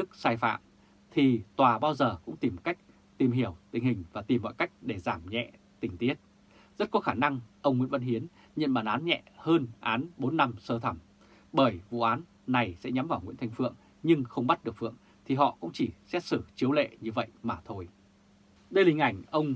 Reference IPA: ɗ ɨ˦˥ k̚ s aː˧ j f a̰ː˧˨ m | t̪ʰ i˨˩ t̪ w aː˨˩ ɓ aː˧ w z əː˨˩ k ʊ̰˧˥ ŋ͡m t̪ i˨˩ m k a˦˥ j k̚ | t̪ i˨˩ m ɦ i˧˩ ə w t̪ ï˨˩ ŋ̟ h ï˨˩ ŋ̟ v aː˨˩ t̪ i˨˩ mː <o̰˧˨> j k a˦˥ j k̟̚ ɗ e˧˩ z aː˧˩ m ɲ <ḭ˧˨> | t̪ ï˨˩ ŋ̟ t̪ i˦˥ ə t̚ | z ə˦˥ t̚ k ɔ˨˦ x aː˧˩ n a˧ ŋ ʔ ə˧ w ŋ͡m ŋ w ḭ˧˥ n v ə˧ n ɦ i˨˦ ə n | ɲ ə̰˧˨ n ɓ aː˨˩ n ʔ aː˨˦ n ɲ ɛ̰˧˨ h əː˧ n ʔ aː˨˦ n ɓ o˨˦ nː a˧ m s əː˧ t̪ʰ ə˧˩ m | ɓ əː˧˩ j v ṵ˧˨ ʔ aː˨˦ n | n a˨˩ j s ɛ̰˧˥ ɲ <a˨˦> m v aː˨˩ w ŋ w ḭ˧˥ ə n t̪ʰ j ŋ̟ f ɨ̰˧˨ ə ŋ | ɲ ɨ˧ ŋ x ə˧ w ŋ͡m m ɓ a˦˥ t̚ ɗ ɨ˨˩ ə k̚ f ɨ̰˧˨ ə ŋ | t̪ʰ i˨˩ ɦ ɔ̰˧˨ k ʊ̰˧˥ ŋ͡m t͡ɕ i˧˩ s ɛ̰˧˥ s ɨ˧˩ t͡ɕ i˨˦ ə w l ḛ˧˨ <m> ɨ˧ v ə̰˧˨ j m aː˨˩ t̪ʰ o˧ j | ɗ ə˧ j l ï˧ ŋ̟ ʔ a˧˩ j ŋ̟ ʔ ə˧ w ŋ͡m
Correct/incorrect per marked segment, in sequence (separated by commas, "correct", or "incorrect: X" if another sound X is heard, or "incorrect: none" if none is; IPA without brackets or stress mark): incorrect: ɔ̰˧˨, incorrect: ɛ̰˧˨, correct, incorrect: ɲ